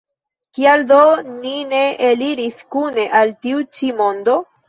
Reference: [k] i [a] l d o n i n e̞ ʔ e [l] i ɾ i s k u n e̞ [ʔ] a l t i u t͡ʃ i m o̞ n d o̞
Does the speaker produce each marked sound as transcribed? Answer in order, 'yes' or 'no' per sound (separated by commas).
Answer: yes, yes, yes, yes